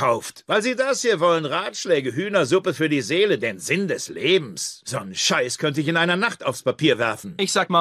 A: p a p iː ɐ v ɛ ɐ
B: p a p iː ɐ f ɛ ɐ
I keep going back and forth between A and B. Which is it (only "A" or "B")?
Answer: A